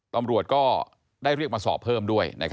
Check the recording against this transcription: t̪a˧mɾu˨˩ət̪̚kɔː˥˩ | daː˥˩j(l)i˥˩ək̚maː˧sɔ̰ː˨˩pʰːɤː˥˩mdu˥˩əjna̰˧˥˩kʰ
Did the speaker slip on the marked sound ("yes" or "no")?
yes